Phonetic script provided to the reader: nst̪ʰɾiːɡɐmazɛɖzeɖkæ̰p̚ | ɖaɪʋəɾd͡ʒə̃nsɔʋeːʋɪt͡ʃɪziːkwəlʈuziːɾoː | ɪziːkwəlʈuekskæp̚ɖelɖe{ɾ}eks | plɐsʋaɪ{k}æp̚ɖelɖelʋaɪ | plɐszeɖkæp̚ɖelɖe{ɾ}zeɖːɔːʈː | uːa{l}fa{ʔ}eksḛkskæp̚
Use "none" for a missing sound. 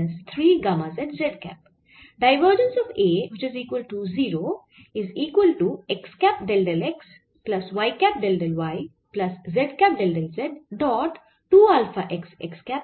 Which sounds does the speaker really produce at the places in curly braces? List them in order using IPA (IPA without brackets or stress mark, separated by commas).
l, k, l, l, ʔ